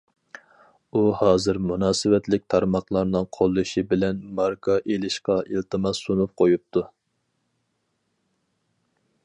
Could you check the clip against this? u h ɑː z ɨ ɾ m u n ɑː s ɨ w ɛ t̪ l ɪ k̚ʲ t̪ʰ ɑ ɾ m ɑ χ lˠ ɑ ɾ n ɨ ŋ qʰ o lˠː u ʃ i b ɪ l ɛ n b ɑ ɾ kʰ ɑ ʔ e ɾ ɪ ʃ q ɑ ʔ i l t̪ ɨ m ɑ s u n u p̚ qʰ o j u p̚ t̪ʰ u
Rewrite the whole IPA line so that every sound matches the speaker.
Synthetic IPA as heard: u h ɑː z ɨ ɾ m u n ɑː s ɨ w ɛ t̪ l ɪ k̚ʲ t̪ʰ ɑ ɾ m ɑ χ lˠ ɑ ɾ n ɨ ŋ qʰ o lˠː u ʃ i b ɪ l ɛ n m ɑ ɾ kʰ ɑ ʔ e l ɪ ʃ q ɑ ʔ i l t̪ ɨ m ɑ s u n u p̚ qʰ o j u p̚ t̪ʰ u